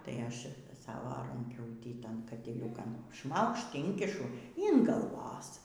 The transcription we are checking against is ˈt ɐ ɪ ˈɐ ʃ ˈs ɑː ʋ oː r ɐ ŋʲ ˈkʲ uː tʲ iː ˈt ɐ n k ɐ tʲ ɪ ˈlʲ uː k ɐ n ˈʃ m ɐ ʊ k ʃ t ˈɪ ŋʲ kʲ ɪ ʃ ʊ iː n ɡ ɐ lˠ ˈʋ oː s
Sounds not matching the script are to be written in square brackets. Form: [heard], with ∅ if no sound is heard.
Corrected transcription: ˈt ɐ ɪ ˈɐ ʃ ˈs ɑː ʋ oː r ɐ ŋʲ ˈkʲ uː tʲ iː ˈt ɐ n k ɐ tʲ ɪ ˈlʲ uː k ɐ n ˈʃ m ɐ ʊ k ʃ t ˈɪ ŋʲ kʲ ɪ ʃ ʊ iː n ɡ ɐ lˠ ˈʋ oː s